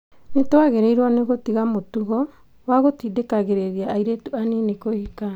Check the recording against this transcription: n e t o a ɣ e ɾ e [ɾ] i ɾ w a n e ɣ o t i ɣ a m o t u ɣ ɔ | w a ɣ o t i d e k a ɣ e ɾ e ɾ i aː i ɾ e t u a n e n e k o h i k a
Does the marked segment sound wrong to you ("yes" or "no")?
yes